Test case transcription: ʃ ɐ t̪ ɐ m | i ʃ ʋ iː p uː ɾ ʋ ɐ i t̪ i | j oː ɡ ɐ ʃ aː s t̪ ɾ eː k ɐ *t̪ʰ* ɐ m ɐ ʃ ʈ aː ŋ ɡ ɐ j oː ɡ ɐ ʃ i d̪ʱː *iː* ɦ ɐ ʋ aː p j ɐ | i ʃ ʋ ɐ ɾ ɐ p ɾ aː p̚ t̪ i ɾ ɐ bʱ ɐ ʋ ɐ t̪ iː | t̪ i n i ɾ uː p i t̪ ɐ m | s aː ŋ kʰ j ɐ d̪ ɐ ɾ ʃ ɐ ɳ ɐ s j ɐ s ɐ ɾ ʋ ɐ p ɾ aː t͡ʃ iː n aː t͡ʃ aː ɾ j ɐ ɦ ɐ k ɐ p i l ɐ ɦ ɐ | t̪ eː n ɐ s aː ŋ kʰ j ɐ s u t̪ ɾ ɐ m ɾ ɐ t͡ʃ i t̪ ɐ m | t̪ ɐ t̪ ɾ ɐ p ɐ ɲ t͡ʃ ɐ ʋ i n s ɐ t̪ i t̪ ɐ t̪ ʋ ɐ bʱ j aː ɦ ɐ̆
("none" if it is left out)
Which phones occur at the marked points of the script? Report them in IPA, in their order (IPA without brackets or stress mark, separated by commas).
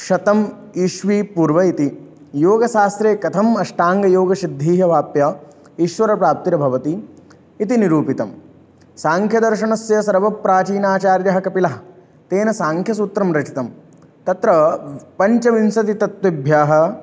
t̪ʰ, iː